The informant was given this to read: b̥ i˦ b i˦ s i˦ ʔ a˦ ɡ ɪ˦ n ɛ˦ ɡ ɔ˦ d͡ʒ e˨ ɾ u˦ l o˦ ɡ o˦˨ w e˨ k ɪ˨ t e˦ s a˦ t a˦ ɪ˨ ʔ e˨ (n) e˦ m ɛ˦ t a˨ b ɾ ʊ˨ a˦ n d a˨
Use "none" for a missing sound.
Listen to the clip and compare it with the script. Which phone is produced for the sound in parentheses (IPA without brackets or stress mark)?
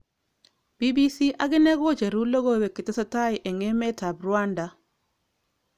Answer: ŋ